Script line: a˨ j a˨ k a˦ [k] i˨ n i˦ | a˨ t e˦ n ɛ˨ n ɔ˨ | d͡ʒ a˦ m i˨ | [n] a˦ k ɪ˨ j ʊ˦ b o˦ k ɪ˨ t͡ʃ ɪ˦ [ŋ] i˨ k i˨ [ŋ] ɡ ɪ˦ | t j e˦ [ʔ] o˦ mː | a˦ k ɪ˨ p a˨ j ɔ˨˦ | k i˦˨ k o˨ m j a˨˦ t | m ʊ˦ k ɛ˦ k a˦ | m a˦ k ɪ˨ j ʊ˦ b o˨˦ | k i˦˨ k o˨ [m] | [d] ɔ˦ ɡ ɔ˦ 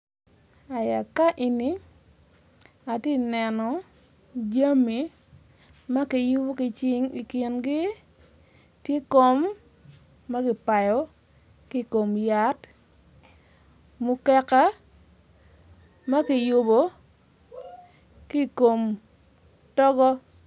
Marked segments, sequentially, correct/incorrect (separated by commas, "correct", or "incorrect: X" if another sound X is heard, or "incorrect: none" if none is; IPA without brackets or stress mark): incorrect: ʔ, incorrect: m, correct, incorrect: n, incorrect: k, correct, incorrect: t